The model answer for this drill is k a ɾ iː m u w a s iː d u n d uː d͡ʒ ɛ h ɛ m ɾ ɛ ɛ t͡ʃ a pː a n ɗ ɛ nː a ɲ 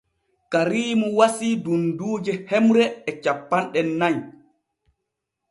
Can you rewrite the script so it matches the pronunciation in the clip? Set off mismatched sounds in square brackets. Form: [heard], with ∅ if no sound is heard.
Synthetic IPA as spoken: k a ɾ iː m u w a s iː d u n d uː d͡ʒ ɛ h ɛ m ɾ ɛ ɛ t͡ʃ a pː a n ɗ ɛ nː a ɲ